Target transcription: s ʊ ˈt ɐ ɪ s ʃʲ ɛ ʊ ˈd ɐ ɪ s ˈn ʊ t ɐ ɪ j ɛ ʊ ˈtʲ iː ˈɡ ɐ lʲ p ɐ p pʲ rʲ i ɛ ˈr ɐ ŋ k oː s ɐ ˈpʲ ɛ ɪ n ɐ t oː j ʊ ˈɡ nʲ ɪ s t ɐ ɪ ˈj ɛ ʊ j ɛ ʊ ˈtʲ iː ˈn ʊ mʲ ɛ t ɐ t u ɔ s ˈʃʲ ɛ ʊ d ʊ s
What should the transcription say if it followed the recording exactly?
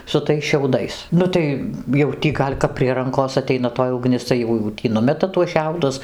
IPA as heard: s ʊ ˈt ɐ ɪ s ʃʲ ɛ ʊ ˈd ɐ ɪ s ˈn ʊ t ɐ ɪ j ɛ ʊ ˈtʲ iː ˈɡ ɐ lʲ k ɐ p pʲ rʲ i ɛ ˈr ɐ ŋ k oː s ɐ ˈtʲ ɛ ɪ n ɐ t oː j ʊ ˈɡ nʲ ɪ s t ɐ ɪ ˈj ɛ ʊ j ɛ ʊ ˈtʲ iː ˈn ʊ mʲ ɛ t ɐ t u ɔ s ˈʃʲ ɛ ʊ d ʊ s